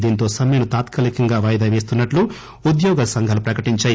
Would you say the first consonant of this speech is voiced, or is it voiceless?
voiced